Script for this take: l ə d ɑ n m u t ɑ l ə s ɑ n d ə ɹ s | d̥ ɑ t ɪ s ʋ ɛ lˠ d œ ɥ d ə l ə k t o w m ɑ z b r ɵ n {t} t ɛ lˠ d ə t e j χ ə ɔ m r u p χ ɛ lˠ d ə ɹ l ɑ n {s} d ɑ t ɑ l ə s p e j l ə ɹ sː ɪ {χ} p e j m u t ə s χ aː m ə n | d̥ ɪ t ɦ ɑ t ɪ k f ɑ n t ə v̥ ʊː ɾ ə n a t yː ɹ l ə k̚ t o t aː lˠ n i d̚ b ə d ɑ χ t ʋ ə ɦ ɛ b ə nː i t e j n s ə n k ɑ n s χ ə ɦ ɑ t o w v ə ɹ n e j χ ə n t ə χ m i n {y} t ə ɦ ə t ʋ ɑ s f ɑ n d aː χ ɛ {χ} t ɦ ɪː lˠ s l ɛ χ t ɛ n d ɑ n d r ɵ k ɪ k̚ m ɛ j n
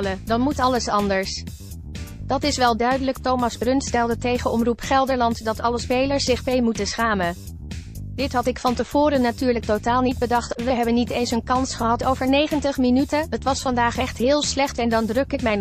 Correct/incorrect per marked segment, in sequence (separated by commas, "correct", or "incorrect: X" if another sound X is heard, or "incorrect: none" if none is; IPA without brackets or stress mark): incorrect: s, incorrect: t, correct, correct, correct